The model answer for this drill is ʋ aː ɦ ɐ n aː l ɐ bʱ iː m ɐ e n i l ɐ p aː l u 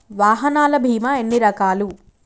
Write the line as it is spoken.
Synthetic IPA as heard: ʋ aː ɦ ɐ n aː l ɐ bʱ iː m ɐ e nː i ɾ ɐ k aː l u